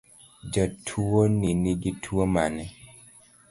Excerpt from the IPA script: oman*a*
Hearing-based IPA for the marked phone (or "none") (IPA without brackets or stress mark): ɛ